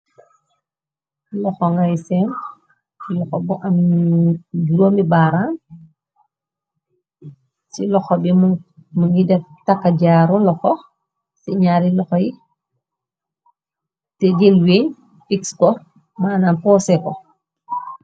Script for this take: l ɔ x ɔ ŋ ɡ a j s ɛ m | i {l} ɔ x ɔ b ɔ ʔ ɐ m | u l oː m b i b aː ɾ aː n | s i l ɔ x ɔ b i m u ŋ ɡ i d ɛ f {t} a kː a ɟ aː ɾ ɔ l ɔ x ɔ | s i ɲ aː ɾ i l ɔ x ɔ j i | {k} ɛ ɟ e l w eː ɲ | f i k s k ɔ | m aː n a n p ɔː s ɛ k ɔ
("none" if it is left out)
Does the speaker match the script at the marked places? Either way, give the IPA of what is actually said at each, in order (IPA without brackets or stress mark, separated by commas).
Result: l, t, t